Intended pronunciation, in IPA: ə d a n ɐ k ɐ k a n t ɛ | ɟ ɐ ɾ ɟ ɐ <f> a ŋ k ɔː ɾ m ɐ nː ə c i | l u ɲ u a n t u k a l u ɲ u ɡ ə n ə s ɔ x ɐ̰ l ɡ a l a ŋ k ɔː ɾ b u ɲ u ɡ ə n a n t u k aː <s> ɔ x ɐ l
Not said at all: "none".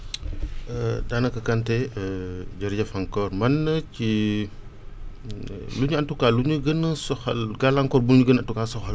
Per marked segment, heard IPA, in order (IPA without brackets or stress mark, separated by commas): f, s